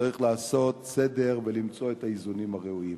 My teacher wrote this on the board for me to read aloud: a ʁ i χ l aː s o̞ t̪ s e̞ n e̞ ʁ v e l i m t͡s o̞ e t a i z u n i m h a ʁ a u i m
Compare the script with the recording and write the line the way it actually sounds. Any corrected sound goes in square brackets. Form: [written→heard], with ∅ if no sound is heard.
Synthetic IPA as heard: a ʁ i χ l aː s o̞ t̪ s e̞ [n→d] e̞ ʁ v e l i m t͡s o̞ e t a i z u n i m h a ʁ [a→e] u i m

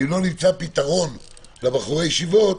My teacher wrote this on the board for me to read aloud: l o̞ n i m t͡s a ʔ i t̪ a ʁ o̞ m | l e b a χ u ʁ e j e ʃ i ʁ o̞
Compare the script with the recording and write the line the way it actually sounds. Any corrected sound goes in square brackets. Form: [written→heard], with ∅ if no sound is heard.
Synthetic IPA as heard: l o̞ n i m t͡s a [ʔ→p] i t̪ a ʁ o̞ [m→n] | l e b a χ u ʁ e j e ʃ i [ʁ→v] o̞

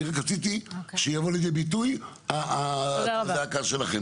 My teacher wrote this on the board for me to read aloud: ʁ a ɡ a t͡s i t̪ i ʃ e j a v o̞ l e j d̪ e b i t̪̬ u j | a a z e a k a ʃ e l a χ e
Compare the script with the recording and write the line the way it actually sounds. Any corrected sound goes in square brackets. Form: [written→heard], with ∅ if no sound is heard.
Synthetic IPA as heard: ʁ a [ɡ→k] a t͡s i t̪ i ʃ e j a v o̞ l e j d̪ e b i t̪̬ u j | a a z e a k a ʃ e l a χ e

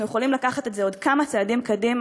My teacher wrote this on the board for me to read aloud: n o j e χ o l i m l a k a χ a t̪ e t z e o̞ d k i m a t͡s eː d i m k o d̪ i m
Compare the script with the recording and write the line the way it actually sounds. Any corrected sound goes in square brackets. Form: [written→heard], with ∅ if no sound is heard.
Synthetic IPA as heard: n [o→u] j e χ o l i m l a k a χ a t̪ e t z e o̞ d k [i→a] m a t͡s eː d i m k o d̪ i m

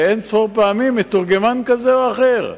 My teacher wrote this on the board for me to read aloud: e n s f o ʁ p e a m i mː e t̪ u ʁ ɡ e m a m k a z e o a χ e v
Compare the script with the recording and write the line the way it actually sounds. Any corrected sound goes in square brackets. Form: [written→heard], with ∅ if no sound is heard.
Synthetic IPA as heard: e n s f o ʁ p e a m i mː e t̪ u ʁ ɡ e m a [m→n] k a z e o a χ e [v→ʁ]

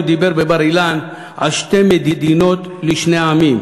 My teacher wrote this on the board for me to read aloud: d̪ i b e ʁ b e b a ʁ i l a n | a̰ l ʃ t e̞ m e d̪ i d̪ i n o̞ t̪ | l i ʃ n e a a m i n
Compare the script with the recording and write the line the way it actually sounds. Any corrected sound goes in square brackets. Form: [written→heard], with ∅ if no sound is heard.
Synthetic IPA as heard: d̪ i b e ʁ b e b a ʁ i l a n | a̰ l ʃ t e̞ m e d̪ i d̪ i n o̞ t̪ | l i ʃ n e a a m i [n→m]

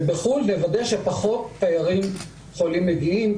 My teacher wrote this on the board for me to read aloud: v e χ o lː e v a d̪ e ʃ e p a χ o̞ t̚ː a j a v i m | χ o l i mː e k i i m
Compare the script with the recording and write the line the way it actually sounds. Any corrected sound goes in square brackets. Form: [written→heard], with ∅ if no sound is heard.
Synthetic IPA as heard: [v→b] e χ [o→u] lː e v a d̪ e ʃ e p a χ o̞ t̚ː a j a [v→ʁ] i m | χ o l i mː e [k→ɡ] i i m

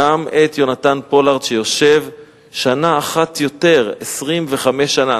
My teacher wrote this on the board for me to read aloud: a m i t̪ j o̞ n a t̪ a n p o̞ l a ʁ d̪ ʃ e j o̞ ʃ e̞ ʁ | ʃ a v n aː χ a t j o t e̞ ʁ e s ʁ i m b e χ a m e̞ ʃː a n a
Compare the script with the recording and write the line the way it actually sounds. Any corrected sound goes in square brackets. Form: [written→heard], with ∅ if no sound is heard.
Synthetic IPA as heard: a m [i→e] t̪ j o̞ n a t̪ a n p o̞ l a ʁ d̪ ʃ e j o̞ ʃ e̞ [ʁ→v] | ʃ a [v→∅] n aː χ a t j o t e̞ ʁ e s ʁ i m [b→v] e χ a m e̞ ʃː a n a

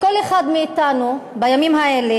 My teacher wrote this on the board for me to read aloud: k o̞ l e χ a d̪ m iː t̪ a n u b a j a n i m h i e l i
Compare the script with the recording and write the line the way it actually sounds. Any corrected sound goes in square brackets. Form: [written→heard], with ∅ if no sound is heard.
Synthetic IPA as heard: k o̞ l e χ a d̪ m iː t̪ a n u b a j a [n→m] i m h [i→a] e l [i→e]

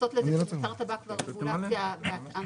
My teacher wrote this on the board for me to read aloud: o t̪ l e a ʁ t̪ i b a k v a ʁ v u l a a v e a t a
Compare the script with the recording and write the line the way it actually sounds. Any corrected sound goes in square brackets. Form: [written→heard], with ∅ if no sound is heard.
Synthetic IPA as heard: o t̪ l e a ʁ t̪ [i→a] b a k v a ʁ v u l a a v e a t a

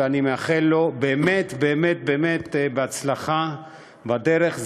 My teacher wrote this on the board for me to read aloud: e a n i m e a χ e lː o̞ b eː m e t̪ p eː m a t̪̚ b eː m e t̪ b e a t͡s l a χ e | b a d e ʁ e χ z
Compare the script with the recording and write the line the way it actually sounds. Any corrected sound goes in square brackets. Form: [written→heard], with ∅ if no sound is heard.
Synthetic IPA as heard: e a n i m e a χ e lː o̞ b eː m e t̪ [p→b] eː m [a→e] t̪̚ b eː m e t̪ b e a t͡s l a χ [e→a] | b a d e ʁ e χ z

